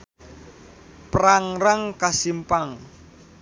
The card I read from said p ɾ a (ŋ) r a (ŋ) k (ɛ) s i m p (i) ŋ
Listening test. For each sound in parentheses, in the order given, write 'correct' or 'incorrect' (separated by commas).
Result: correct, correct, incorrect, incorrect